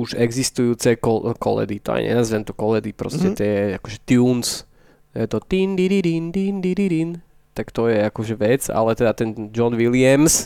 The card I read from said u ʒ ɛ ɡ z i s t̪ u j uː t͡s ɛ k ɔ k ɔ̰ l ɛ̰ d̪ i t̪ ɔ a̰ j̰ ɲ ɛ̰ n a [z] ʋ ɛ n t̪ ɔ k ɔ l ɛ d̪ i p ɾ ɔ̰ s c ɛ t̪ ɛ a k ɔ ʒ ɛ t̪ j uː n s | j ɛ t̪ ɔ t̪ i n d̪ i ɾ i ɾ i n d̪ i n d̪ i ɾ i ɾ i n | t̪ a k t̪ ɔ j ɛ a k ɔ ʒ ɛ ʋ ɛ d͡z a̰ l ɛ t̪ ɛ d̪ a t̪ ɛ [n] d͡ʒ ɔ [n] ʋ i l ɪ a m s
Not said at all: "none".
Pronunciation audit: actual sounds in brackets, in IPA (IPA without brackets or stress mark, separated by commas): z, n, n